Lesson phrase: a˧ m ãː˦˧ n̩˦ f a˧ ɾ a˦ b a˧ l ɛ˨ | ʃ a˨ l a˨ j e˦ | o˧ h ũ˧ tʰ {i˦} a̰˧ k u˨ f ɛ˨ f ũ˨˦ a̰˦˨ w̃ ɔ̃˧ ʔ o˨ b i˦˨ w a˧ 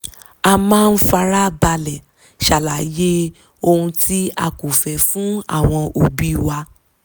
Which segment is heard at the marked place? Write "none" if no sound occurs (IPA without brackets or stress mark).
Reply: i˦